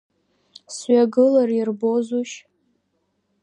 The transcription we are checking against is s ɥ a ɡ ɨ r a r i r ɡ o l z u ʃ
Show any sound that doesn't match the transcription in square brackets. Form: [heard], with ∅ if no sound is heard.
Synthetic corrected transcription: s ɥ a ɡ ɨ [l] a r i r [b] o [∅] z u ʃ